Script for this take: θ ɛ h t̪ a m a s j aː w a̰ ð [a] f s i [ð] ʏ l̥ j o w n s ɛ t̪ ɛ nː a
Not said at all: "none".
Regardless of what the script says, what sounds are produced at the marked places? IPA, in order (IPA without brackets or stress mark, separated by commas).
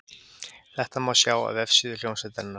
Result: ɛ, ð